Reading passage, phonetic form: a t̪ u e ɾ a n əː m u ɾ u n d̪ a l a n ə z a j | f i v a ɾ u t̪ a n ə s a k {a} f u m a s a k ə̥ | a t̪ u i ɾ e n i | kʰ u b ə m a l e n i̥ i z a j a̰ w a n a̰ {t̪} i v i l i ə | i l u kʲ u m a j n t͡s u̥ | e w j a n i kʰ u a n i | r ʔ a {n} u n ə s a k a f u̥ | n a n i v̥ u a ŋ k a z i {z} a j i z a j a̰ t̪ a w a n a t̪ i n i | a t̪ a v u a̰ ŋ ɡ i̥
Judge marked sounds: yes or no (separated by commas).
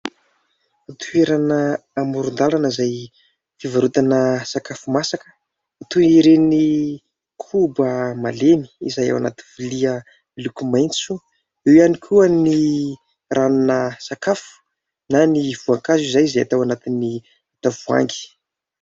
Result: yes, yes, yes, yes